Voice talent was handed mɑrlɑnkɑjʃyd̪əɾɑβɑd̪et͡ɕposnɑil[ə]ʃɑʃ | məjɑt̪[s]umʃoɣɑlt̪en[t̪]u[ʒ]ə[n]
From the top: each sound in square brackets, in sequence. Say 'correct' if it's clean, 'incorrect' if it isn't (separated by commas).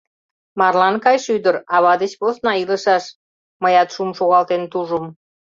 correct, incorrect, correct, correct, incorrect